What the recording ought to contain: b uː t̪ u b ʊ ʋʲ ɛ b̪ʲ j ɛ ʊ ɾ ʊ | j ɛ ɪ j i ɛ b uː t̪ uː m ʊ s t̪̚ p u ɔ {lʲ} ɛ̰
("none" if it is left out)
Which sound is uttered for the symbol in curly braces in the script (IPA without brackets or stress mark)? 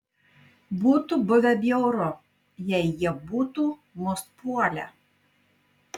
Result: lʲ